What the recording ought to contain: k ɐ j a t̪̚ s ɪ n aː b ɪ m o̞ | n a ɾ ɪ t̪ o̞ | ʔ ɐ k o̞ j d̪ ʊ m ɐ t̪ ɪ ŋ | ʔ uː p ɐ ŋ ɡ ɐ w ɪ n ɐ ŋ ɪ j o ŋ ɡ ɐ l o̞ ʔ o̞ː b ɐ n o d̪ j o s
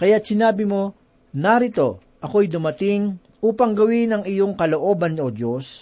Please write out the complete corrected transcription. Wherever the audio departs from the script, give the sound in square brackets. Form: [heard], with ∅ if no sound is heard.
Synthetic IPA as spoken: k ɐ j a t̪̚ s ɪ n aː b ɪ m o̞ | n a ɾ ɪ t̪ o̞ | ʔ ɐ k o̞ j d̪ ʊ m ɐ t̪ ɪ ŋ | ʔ uː p ɐ ŋ ɡ ɐ w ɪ n ɐ ŋ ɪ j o ŋ [k] ɐ l o̞ ʔ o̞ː b ɐ n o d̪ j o s